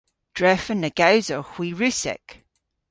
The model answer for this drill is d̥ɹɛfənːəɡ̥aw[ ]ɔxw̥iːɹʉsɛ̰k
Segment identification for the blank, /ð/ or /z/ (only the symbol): z